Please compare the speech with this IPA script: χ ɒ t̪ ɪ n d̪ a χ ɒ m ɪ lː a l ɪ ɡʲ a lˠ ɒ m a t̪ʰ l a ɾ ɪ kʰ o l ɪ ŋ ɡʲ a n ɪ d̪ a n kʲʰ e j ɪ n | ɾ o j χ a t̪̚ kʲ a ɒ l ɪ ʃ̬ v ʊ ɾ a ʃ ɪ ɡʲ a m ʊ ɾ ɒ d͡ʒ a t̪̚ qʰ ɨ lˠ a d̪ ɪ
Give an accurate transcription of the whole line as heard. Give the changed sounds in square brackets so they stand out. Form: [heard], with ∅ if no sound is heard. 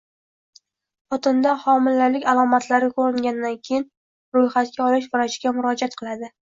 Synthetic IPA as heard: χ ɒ t̪ ɪ n d̪ a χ ɒ m ɪ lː a l ɪ [kʲ] a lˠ ɒ m a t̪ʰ l a ɾ ɪ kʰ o [ɾ] ɪ ŋ ɡʲ a n ɪ d̪ a n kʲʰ e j ɪ n | ɾ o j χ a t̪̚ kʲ a ɒ l ɪ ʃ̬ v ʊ ɾ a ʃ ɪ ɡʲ a m ʊ ɾ ɒ d͡ʒ a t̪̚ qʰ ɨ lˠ a d̪ ɪ